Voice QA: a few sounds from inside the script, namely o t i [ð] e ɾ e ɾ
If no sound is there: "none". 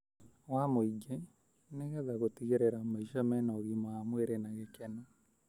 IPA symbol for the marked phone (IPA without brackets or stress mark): ɣ